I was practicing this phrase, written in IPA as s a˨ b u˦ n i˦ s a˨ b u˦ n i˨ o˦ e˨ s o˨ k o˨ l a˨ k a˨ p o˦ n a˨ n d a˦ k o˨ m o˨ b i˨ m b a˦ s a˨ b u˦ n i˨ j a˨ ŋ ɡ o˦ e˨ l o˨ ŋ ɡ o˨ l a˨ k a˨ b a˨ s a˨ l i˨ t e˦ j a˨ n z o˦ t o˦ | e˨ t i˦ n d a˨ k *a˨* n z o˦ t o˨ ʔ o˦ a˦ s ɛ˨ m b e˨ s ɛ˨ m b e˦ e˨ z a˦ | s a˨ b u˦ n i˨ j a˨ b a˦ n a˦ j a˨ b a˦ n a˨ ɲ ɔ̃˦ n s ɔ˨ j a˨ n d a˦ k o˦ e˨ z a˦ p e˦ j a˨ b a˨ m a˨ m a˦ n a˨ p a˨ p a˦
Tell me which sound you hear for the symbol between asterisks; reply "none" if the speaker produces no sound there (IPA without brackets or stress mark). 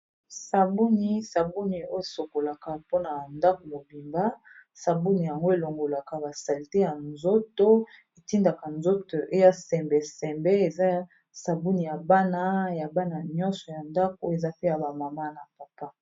a˨